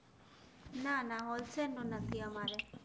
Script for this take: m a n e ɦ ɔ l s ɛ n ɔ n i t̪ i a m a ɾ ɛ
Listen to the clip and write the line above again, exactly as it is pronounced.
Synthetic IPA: n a n a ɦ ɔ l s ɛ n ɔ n a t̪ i a m a ɾ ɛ

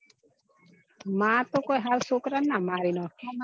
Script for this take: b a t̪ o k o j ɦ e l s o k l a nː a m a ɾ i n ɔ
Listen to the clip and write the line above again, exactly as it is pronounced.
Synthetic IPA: m a t̪ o k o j ɦ a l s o k ɾ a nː a m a ɾ i n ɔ

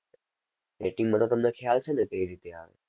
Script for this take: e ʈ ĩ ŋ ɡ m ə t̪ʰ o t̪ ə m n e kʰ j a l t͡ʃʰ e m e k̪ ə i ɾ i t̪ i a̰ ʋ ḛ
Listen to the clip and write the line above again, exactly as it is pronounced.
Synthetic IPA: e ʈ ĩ ŋ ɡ m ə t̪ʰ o t̪ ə m n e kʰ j a l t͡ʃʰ e n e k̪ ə i ɾ i t̪ e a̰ ʋ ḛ

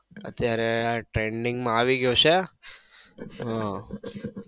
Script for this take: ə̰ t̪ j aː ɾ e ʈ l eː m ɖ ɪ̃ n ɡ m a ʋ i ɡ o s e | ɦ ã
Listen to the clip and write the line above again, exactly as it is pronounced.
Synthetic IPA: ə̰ t̪ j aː ɾ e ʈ ɾ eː ɳ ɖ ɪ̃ ŋ ɡ m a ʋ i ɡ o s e | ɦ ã

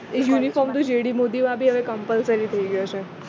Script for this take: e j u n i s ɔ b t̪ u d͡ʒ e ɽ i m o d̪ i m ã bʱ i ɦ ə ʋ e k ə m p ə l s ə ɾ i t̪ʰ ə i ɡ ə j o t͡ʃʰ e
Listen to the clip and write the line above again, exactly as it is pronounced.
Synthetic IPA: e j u n i f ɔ m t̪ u d͡ʒ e ɽ i m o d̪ i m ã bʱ i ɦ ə ʋ e k ə m p ə l s ə ɾ i t̪ʰ ə i ɡ ə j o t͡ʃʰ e

